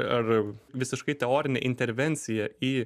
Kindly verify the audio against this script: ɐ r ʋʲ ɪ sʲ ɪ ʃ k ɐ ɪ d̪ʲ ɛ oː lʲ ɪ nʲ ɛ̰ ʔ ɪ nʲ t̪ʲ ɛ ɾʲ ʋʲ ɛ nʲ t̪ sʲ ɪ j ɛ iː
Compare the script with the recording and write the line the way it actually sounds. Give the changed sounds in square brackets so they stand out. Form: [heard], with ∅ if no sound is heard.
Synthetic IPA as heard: ɐ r ʋʲ ɪ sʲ ɪ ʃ k ɐ ɪ [t̪ʲ] ɛ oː [ɾʲ] ɪ nʲ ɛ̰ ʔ ɪ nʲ t̪ʲ ɛ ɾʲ ʋʲ ɛ nʲ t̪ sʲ ɪ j ɛ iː